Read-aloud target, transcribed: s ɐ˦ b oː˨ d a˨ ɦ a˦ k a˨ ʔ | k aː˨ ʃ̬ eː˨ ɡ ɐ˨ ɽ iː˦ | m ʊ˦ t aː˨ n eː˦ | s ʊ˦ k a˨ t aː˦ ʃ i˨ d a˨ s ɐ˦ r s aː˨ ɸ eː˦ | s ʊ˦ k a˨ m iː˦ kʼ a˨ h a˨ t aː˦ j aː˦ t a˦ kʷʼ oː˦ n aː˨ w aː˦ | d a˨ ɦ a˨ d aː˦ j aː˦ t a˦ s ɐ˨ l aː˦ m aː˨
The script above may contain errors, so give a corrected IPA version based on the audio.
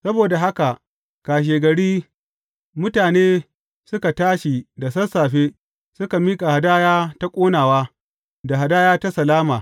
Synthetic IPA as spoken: s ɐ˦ b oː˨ d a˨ ɦ a˦ k a˨ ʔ | k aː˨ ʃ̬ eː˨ ɡ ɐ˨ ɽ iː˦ | m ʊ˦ t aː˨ n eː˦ | s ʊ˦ k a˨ t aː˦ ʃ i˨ d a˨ s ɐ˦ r s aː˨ ɸ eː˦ | s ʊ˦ k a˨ m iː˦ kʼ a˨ h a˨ d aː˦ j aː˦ t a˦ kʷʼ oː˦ n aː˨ w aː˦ | d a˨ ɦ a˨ d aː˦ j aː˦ t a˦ s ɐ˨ l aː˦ m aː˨